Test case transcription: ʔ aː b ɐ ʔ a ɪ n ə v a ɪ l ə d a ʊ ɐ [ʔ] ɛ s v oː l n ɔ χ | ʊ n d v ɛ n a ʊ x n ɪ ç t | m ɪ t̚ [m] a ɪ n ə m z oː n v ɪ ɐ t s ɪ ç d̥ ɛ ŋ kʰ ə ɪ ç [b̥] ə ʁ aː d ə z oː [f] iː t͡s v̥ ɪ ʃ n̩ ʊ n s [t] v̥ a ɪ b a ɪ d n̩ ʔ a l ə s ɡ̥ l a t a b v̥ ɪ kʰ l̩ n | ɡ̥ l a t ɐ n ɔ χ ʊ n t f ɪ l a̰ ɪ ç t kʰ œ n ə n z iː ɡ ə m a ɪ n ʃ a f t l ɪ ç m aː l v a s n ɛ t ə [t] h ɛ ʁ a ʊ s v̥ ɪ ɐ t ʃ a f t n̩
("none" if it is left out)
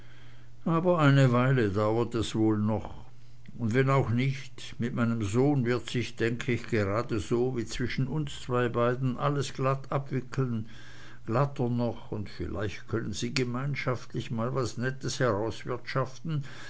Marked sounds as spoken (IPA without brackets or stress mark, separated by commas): t, m, ɡ̥, v, t͡s, s